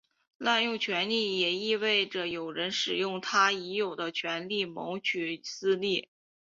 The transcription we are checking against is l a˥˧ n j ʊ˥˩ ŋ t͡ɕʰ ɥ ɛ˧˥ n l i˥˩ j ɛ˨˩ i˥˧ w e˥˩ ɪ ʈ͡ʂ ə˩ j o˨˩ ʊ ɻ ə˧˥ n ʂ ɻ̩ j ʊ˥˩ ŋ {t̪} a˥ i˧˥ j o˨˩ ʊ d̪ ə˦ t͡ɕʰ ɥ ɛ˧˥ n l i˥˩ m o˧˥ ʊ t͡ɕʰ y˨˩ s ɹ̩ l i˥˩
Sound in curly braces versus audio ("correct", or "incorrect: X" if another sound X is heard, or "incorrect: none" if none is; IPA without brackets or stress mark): incorrect: t̪ʰ